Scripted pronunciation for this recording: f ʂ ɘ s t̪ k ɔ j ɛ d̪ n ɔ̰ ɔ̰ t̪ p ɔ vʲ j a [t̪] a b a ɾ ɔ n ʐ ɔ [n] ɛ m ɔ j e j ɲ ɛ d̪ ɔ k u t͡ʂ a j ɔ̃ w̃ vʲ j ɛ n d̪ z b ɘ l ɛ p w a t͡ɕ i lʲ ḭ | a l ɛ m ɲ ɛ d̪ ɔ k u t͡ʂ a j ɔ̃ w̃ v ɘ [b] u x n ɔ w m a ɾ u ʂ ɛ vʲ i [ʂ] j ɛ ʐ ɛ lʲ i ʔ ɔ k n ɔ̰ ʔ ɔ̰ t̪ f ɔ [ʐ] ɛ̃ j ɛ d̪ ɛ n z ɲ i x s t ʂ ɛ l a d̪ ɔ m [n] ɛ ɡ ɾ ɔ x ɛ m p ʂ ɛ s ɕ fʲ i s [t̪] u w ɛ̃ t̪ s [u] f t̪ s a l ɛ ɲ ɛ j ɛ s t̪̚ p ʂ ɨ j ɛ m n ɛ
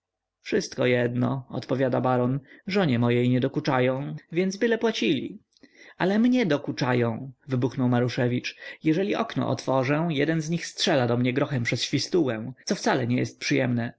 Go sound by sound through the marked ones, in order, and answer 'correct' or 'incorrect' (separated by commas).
incorrect, incorrect, correct, incorrect, correct, incorrect, correct, incorrect